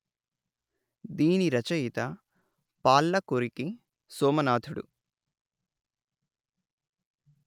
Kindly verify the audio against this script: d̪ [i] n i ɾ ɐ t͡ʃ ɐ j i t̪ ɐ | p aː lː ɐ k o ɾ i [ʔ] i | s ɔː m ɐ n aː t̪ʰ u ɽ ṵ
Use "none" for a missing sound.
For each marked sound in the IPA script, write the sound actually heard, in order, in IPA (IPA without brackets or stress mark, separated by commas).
iː, k